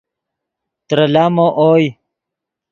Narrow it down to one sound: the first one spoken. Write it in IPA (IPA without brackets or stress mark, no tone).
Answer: t̪